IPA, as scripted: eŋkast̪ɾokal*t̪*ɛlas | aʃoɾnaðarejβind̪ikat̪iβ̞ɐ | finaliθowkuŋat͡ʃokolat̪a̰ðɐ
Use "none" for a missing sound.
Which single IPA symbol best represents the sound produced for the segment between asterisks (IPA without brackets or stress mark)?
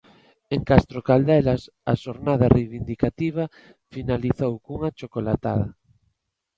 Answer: d̪